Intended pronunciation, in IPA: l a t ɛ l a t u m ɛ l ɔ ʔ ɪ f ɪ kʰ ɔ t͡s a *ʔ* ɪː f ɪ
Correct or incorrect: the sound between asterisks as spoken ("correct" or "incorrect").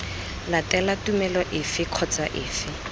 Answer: correct